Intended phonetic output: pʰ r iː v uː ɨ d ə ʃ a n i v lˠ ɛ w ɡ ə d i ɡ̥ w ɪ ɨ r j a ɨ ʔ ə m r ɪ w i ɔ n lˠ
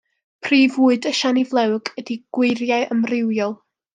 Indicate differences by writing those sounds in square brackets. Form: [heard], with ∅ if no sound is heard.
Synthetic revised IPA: pʰ r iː v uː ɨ d ə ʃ a n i v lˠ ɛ w ɡ ə d i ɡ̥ w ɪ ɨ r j a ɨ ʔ ə m r ɪ w [j] ɔ [∅] lˠ